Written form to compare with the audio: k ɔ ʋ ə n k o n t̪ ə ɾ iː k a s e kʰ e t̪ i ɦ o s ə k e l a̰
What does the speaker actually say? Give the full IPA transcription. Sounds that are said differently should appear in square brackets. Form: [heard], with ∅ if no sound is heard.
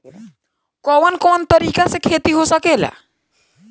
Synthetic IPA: k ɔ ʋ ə n k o n t̪ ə ɾ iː k a s e kʰ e t̪ i ɦ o s ə k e l a̰

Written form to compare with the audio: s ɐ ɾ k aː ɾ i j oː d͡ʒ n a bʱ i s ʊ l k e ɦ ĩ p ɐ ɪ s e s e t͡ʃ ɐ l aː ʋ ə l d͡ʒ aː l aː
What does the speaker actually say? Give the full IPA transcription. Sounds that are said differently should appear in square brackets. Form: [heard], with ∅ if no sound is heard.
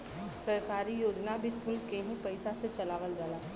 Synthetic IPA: s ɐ ɾ k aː ɾ i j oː d͡ʒ n a bʱ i s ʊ l k e ɦ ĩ p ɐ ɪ s [a] s e t͡ʃ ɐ l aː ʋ ə l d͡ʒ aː l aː

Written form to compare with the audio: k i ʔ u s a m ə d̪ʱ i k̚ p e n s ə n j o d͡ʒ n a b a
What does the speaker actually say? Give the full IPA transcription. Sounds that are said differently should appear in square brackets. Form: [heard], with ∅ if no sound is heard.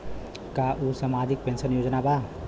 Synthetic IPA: k [a] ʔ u s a m [a] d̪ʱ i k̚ p e n s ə n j o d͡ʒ n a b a

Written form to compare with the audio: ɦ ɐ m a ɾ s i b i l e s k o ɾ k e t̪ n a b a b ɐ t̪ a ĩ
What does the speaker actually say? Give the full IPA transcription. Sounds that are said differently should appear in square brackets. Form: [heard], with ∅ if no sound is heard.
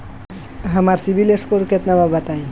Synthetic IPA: ɦ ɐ m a ɾ s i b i l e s k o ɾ k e t̪ n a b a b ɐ t̪ a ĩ

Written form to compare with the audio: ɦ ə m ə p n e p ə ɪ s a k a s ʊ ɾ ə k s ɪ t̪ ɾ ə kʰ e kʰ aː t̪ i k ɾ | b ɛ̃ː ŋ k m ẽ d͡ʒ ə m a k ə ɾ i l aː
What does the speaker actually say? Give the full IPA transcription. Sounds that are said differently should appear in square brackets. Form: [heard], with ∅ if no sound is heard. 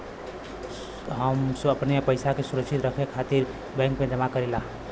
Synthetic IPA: ɦ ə m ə p n e p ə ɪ s a k [e] s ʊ ɾ ə k s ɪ t̪ ɾ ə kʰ e kʰ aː t̪ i [∅] ɾ | b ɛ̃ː ŋ k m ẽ d͡ʒ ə m a k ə ɾ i l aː

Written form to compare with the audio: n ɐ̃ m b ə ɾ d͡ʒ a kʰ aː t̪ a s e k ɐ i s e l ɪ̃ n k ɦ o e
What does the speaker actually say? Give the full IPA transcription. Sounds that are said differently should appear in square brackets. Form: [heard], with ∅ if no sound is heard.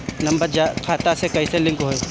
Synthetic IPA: n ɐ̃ m b ə ɾ d͡ʒ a kʰ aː t̪ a s e k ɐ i s e l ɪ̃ [ŋ] k ɦ o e

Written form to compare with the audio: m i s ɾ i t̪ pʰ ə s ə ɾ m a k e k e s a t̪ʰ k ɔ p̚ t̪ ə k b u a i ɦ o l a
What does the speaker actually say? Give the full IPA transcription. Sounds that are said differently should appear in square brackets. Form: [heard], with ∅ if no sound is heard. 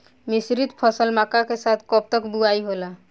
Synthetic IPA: m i s ɾ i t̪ pʰ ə s ə [l] m a k [a] k e s a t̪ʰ k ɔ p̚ t̪ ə k b u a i ɦ o l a

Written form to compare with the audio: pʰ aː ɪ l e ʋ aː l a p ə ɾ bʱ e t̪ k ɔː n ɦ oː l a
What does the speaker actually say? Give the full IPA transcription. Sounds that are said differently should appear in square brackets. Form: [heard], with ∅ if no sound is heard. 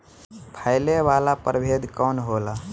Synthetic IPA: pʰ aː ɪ l e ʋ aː l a p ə ɾ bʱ e [d̪] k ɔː n ɦ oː l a

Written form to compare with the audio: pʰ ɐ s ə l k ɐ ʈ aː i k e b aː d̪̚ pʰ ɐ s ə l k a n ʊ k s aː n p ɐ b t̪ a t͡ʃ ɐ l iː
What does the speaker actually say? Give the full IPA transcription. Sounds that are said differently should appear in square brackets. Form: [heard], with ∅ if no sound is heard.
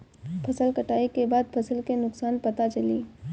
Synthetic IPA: pʰ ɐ s ə l k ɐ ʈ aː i k e b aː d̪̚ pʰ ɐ s ə l k [e] n ʊ k s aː n p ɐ [∅] t̪ a t͡ʃ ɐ l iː

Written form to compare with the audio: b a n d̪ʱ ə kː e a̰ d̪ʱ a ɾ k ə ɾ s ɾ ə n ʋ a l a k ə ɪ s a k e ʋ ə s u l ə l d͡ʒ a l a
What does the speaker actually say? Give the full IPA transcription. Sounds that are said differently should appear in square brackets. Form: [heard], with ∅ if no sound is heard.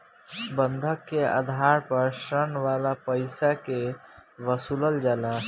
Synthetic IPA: b [ə] n d̪ʱ ə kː e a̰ d̪ʱ a ɾ [p] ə ɾ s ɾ ə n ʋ a l a [p] ə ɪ s a k e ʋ ə s u l ə l d͡ʒ a l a

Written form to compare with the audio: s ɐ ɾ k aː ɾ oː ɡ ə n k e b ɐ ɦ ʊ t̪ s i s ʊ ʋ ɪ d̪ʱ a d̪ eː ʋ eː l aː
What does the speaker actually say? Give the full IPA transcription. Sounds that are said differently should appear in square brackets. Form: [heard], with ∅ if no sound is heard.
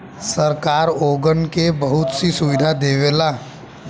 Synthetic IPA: s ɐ ɾ k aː ɾ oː ɡ ə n k e b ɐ ɦ ʊ t̪ s i s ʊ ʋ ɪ d̪ʱ a d̪ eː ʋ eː l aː

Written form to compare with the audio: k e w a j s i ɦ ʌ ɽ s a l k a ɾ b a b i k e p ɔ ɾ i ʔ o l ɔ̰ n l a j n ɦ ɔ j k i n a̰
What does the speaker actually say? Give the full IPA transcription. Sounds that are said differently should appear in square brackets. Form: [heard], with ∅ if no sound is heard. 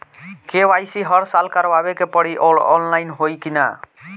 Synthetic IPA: k e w a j s i ɦ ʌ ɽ s a l k a ɾ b a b [e] k e p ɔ [ɽ] i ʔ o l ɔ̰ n l a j n ɦ [o] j k i n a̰

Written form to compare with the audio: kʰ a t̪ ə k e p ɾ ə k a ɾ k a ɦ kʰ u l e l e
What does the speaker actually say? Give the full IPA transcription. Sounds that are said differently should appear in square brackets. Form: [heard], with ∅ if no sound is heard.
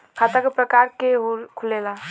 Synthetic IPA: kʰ a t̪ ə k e p ɾ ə k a ɾ k [e] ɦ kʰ u l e l [a]

